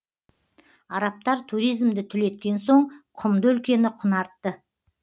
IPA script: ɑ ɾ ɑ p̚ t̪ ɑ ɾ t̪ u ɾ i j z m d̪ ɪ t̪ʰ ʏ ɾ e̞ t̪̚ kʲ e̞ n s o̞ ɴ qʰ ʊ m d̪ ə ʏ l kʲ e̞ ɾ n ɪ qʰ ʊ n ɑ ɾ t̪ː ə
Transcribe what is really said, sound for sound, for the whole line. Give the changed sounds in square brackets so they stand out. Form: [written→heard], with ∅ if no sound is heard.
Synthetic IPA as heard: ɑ ɾ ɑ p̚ t̪ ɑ ɾ [t̪→t̪ʰ] u ɾ i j z m d̪ ɪ t̪ʰ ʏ [ɾ→l] e̞ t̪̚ kʲ e̞ n s o̞ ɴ qʰ ʊ m d̪ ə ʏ l kʲ e̞ [ɾ→∅] n ɪ qʰ ʊ n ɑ ɾ t̪ː ə